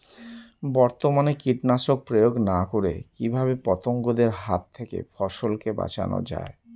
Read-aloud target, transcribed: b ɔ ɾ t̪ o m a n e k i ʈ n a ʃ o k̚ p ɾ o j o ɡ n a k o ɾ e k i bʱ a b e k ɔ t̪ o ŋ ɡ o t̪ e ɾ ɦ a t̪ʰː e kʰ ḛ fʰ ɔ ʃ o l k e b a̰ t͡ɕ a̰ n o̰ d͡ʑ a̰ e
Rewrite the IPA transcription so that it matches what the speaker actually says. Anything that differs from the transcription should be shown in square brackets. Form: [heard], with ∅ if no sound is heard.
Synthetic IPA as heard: b ɔ ɾ t̪ o m a n e k i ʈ n a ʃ o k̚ p ɾ o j o ɡ n a k o ɾ e k i bʱ a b e [p] ɔ t̪ o ŋ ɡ o [d̪] e ɾ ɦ a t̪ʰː e [k] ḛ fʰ ɔ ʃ o l k e b a̰ t͡ɕ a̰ n o̰ d͡ʑ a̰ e